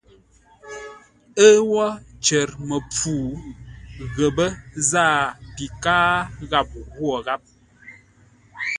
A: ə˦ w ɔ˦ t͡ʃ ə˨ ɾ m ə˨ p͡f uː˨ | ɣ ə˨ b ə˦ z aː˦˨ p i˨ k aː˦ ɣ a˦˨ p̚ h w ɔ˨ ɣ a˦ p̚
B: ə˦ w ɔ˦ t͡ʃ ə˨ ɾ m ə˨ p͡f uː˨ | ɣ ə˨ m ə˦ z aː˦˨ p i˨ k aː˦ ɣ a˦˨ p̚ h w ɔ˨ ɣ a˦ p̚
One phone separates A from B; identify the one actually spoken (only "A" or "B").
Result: A